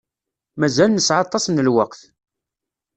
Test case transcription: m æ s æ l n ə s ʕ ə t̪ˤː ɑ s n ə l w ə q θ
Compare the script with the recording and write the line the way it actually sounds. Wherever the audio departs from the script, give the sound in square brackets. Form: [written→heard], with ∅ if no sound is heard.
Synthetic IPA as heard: m æ [s→z] æ l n ə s ʕ [ə→ɑ] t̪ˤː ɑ s n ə l w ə q θ